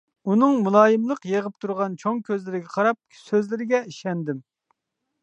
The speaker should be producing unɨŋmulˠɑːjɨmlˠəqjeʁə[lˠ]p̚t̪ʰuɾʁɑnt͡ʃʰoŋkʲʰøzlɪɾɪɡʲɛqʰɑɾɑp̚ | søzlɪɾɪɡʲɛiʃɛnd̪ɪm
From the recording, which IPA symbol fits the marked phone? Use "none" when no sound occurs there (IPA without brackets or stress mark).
none